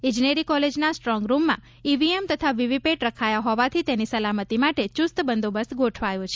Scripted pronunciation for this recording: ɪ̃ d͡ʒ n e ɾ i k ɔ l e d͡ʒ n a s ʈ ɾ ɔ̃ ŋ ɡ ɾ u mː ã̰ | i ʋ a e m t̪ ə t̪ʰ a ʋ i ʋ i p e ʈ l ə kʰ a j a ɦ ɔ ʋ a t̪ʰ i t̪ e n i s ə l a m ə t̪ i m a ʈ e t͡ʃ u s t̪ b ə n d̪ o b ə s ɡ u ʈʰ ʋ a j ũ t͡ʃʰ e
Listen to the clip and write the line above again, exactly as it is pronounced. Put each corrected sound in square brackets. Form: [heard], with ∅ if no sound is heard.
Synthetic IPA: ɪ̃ d͡ʒ n e ɾ i k ɔ l e d͡ʒ n a s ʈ ɾ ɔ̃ ŋ ɡ ɾ u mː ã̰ | i ʋ [i] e m t̪ ə t̪ʰ a ʋ i ʋ i p e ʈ [ɾ] ə kʰ a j a ɦ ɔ ʋ a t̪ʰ i t̪ e n i s ə l a m ə t̪ i m a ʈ e t͡ʃ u s t̪ b ə n d̪ o b ə s ɡ [o] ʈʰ ʋ a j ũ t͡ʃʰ e